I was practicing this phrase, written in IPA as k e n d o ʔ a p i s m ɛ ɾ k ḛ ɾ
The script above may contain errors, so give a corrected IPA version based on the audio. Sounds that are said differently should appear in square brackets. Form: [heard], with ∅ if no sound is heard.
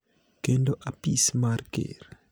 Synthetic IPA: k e n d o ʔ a p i s m [a] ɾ k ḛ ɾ